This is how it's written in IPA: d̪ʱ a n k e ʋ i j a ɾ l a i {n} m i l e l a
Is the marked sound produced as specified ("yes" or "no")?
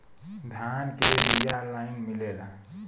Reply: yes